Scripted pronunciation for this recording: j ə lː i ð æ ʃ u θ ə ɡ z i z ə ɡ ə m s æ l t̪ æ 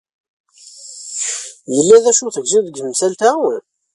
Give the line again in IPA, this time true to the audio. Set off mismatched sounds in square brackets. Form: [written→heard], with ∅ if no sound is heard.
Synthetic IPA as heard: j ə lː [i→æ] ð æ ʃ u θ ə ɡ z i [z→ð] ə ɡ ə m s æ l t̪ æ